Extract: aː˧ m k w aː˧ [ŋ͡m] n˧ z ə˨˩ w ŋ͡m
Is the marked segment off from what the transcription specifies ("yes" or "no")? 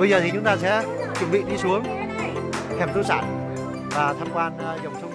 yes